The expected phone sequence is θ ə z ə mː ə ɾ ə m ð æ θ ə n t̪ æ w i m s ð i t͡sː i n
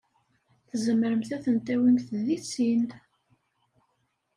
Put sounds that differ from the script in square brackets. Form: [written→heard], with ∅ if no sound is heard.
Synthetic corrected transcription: θ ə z ə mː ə ɾ ə m [ð→θ] æ θ ə n t̪ æ w i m [s→θ] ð i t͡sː i n